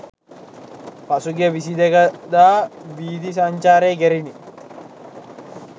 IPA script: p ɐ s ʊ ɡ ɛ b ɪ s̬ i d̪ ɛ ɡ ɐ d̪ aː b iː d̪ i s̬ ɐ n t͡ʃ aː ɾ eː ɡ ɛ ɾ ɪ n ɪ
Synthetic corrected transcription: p ɐ s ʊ ɡ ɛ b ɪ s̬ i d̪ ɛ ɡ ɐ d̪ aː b iː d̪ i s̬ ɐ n t͡ʃ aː ɾ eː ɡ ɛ ɾ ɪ n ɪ